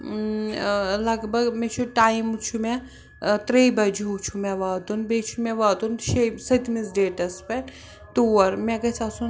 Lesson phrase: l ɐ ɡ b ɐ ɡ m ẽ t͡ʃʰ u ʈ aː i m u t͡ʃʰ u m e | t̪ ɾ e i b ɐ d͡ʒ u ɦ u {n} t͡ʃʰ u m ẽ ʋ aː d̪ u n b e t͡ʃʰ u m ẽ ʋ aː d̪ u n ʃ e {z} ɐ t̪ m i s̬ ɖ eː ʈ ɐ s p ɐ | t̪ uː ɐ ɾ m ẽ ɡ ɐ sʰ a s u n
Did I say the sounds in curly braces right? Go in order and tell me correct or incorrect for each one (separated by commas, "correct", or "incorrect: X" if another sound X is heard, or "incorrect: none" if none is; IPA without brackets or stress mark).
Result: incorrect: none, incorrect: s